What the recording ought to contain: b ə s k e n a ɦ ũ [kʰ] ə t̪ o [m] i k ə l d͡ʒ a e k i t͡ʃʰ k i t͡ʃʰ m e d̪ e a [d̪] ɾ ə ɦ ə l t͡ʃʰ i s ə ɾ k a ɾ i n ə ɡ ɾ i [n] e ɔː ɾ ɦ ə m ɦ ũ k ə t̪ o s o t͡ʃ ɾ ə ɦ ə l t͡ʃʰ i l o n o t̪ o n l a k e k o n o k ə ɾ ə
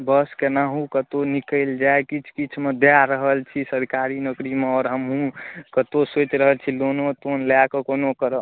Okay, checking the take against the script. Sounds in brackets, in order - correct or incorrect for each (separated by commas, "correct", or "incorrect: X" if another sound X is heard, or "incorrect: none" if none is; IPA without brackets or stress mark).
incorrect: k, incorrect: n, incorrect: none, incorrect: m